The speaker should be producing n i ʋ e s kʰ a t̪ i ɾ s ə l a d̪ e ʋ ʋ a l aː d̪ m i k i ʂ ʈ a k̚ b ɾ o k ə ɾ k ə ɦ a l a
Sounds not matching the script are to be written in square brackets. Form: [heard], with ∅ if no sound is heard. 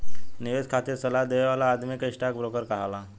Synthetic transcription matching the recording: n i ʋ e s kʰ a t̪ i ɾ s ə l a d̪ e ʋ ʋ a l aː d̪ m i k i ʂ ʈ a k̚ b ɾ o k ə ɾ k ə ɦ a l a